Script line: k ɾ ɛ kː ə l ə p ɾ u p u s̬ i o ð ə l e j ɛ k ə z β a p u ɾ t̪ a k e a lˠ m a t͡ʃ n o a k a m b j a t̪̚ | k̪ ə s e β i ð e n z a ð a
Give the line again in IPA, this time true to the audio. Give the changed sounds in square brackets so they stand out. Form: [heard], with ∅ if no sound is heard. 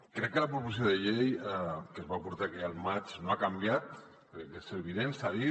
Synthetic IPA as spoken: k ɾ ɛ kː ə l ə p ɾ u p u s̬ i o ð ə [ʎ] e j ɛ k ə z β a p u ɾ t̪ a k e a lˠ m a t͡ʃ n o a k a m b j a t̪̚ | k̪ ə s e β i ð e n [s] a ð [i]